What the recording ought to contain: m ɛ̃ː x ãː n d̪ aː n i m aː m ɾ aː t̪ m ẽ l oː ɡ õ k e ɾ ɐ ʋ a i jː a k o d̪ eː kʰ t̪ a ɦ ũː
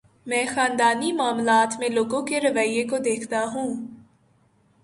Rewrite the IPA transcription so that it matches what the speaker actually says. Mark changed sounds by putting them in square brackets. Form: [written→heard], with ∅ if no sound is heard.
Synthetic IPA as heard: m ɛ̃ː x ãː n d̪ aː n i m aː m [ɾ→l] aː t̪ m ẽ l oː ɡ õ k e ɾ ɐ ʋ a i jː [a→e] k o d̪ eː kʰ t̪ a ɦ ũː